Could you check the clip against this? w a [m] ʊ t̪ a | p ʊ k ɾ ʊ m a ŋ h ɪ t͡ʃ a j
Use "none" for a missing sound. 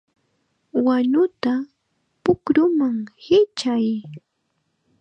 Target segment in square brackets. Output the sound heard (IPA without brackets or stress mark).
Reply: ɲ